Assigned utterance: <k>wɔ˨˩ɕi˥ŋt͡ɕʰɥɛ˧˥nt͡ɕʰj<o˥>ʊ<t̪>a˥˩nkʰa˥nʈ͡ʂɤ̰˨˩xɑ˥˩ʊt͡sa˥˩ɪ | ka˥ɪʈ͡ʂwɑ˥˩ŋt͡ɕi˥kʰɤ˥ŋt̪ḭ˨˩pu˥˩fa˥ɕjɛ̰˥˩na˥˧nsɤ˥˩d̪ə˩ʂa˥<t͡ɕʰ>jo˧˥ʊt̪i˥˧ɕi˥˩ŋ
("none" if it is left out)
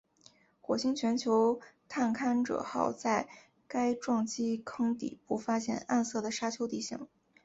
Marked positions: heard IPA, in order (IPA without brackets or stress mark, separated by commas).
x, o˧˥, t̪ʰ, t͡ɕʰ